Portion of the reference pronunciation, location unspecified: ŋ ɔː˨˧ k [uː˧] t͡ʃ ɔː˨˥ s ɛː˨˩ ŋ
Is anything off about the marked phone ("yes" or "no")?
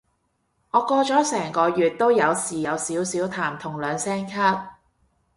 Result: yes